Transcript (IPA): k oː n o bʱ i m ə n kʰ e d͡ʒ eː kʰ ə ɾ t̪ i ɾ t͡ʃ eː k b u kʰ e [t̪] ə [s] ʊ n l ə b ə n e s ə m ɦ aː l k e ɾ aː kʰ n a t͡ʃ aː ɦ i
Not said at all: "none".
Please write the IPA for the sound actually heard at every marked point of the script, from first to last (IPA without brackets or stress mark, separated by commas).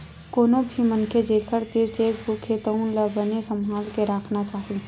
t̪, none